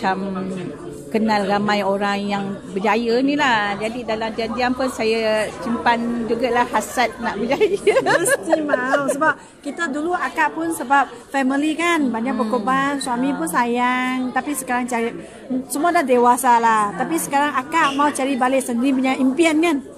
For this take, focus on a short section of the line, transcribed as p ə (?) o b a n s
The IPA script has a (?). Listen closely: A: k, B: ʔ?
A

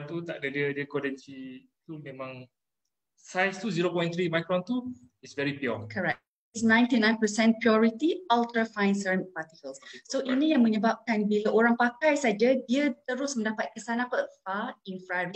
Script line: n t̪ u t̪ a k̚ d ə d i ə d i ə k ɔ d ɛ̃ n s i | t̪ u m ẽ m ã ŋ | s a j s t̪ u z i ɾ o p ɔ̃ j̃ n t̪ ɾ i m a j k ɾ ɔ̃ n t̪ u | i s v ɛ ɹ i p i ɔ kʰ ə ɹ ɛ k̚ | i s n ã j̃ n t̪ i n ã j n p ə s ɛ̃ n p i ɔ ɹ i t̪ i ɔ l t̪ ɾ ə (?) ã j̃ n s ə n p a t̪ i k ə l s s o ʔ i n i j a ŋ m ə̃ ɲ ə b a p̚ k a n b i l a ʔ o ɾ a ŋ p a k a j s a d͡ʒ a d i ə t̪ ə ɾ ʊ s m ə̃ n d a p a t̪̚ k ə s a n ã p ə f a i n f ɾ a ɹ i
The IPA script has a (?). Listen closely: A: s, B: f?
B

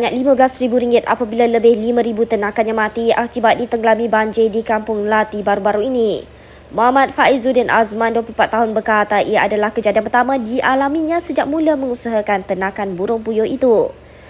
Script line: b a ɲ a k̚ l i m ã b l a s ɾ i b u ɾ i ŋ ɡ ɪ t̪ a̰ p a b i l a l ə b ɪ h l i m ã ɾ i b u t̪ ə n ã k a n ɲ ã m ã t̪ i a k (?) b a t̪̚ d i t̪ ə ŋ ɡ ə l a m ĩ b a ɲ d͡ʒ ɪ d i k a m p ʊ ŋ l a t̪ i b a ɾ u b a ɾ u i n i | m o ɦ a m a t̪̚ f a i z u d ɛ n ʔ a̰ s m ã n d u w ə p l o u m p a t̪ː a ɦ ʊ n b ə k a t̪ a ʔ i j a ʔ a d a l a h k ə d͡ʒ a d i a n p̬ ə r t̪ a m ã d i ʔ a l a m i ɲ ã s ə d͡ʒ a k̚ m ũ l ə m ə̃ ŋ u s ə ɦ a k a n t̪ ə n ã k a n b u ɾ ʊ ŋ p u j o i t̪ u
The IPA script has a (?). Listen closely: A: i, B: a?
A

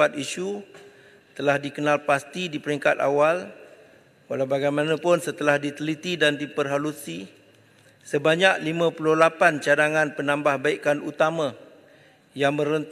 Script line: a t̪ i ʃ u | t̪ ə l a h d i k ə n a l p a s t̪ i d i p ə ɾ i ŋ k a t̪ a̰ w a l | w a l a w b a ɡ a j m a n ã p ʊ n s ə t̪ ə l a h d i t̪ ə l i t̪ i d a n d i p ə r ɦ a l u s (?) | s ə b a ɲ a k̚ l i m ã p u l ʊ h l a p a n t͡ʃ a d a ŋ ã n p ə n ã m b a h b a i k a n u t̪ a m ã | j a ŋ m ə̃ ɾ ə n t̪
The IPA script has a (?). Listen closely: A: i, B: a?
A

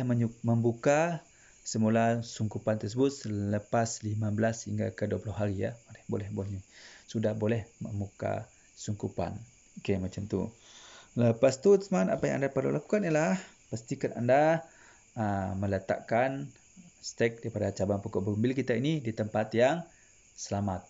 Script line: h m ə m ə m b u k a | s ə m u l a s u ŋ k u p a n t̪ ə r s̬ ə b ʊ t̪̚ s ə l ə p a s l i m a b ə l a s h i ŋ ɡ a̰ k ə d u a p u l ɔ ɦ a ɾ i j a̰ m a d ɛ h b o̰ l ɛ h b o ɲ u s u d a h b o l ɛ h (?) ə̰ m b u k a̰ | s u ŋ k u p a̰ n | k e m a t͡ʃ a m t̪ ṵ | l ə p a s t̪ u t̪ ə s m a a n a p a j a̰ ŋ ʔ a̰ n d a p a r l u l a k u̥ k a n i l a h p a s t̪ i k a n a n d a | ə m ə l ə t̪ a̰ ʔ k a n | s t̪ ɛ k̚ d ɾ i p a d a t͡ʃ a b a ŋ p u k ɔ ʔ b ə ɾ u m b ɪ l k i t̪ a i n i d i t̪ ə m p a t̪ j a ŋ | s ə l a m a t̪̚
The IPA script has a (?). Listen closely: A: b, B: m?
B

